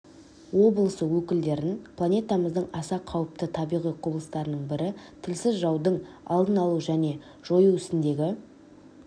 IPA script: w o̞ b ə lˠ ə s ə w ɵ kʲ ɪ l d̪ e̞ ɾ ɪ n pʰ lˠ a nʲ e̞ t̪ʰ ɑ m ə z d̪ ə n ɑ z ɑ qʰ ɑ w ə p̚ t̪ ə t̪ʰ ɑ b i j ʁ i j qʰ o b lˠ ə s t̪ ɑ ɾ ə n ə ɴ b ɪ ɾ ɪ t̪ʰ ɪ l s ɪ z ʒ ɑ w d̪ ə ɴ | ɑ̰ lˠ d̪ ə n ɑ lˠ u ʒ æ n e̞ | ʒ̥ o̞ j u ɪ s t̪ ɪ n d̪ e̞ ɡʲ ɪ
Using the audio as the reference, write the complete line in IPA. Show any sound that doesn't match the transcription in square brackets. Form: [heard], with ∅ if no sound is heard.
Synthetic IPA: w o̞ b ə lˠ ə s ə w ɵ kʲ ɪ l d̪ e̞ ɾ ɪ n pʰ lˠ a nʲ e̞ [t̪] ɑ m ə z d̪ ə [ɴ] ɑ [s] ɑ qʰ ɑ w ə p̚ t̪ ə t̪ʰ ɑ b i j ʁ i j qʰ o b lˠ ə s t̪ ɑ ɾ ə n ə ɴ b ɪ ɾ ɪ t̪ʰ ɪ l s ɪ z ʒ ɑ w d̪ ə ɴ | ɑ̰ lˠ d̪ ə n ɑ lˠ u ʒ æ n e̞ | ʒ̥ o̞ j u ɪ s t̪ ɪ n d̪ e̞ ɡʲ ɪ